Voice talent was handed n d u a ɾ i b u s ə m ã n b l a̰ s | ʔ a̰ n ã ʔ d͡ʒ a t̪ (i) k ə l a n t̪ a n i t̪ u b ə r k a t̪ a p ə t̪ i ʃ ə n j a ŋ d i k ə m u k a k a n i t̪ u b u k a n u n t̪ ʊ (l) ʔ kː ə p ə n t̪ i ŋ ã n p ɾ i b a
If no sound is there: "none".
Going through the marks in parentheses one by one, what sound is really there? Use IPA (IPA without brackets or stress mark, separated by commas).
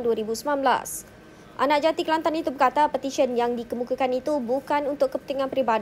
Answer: i, none